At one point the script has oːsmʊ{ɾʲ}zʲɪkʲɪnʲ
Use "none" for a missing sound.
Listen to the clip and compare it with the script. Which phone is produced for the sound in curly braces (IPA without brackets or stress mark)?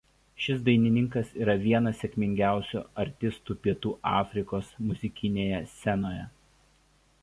none